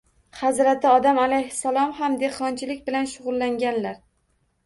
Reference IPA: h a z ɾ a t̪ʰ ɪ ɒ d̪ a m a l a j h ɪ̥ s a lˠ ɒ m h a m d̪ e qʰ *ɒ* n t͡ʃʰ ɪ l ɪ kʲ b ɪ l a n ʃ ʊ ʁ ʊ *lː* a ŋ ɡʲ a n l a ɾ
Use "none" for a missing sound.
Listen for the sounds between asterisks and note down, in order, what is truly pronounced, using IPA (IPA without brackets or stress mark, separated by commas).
ɒ, lː